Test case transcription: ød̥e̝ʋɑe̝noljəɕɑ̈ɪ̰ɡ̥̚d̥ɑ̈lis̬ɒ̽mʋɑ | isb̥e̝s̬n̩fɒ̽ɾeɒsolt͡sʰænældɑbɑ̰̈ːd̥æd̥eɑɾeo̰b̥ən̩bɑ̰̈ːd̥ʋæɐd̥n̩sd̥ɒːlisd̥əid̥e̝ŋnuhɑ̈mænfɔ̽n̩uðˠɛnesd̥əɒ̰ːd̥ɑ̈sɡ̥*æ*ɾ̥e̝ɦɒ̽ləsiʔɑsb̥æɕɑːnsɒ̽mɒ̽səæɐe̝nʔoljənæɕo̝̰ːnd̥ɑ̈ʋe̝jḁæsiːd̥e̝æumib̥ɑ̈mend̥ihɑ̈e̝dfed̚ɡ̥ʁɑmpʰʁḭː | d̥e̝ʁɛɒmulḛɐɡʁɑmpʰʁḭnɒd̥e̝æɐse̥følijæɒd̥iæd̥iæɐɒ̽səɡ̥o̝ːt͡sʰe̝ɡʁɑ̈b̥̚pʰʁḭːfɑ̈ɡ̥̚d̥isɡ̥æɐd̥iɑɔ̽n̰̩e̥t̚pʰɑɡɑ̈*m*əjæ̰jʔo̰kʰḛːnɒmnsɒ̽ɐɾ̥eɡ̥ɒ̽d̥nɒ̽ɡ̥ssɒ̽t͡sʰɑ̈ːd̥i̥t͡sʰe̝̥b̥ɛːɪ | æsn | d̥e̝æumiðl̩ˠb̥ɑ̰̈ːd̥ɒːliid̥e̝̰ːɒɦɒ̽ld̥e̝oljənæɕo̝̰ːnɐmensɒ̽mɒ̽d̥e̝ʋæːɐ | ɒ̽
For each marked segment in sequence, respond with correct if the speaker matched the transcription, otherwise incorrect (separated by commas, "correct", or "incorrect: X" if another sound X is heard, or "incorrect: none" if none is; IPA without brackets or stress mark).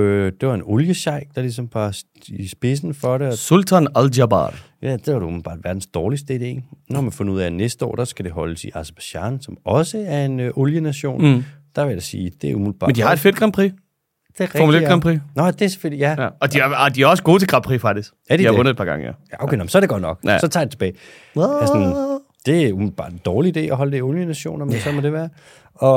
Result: correct, incorrect: ŋ